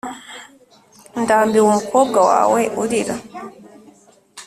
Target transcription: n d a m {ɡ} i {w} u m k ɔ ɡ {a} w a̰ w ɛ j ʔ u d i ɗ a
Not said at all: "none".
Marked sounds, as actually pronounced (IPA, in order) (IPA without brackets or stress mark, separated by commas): b, w, a